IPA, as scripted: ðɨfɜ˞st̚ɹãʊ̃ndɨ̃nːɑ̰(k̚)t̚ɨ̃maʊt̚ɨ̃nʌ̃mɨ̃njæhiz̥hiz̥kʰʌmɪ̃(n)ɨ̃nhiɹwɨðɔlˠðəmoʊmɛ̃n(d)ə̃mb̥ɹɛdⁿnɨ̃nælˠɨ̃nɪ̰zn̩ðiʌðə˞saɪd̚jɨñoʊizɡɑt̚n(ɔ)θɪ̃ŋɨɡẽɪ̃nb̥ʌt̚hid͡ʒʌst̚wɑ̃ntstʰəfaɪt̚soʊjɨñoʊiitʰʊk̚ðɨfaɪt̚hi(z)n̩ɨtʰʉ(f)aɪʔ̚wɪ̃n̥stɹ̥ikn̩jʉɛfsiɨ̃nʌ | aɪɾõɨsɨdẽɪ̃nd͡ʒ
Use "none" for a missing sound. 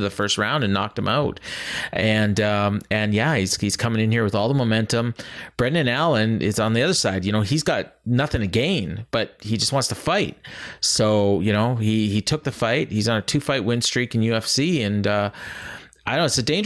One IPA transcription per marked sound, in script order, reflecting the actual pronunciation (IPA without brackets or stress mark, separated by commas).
k̚, ŋ, t, ʌ, z, f